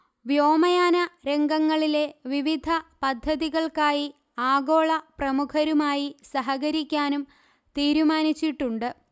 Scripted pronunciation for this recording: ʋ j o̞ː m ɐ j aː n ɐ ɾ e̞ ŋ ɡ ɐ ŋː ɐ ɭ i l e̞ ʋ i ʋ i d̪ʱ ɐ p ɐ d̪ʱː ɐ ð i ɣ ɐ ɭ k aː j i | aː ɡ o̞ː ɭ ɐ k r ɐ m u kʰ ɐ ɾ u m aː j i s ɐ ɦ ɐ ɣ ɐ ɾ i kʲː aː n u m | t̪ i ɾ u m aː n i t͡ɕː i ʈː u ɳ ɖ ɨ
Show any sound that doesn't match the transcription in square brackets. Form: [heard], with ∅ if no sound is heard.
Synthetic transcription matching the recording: ʋ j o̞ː m ɐ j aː n ɐ ɾ e̞ ŋ ɡ ɐ ŋː ɐ ɭ i l e̞ ʋ i ʋ i d̪ʱ ɐ p ɐ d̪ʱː ɐ ð i ɣ ɐ ɭ k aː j i | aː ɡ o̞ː ɭ ɐ [p] r ɐ m u kʰ ɐ ɾ u m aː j i s ɐ ɦ ɐ ɣ ɐ ɾ i kʲː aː n u m | t̪ [iː] ɾ u m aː n i t͡ɕː i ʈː u ɳ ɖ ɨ